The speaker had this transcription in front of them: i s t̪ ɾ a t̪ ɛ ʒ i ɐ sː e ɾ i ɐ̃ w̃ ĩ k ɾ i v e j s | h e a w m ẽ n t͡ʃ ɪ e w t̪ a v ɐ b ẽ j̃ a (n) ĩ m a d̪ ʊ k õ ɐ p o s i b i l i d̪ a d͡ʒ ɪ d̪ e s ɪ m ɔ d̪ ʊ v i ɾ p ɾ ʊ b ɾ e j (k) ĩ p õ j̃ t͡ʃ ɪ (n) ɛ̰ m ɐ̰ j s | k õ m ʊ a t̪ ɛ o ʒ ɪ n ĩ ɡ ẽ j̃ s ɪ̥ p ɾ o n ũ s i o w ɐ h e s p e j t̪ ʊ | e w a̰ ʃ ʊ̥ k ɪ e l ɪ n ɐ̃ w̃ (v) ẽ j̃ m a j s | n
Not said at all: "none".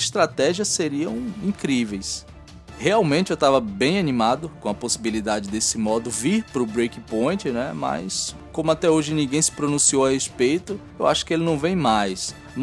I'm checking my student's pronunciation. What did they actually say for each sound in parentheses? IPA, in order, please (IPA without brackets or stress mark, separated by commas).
n, k, n, v